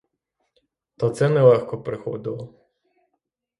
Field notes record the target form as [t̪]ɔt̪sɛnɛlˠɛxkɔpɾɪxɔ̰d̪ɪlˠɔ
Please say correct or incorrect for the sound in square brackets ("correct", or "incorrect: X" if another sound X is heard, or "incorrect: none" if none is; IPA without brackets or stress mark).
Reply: correct